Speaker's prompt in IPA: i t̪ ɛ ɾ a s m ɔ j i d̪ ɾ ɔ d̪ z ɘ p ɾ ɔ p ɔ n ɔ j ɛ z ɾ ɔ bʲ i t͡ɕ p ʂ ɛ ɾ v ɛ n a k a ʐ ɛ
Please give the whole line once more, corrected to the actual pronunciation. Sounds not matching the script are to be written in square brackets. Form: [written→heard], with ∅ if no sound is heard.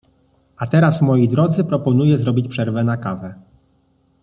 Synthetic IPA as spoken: [i→a] t̪ ɛ ɾ a s m ɔ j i d̪ ɾ ɔ d̪ z ɘ p ɾ ɔ p ɔ n [ɔ→u] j ɛ z ɾ ɔ bʲ i t͡ɕ p ʂ ɛ ɾ v ɛ n a k a [ʐ→v] ɛ